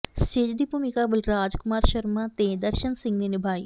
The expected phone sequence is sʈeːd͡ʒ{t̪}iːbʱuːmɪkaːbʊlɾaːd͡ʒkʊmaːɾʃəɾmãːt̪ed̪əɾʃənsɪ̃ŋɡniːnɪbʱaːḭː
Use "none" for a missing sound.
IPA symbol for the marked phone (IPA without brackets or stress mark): d̪